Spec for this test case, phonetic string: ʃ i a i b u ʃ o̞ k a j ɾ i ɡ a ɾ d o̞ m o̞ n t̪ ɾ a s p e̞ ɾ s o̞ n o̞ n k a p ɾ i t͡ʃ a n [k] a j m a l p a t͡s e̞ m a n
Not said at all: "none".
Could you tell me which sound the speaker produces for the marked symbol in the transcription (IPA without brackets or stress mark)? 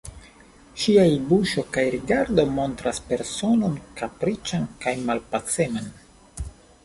k